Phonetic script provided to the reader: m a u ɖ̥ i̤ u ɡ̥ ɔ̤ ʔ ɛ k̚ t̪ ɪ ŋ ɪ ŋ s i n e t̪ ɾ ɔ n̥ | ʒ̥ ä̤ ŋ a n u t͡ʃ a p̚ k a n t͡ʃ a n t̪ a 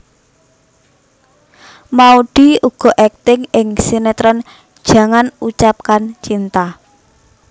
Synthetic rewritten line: m a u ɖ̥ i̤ u ɡ̥ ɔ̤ ʔ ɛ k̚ t̪ ɪ ŋ ɪ ŋ s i n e t̪ ɾ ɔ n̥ | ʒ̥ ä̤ ŋ a n u t͡ʃ a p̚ k a n t͡ʃ i n t̪ a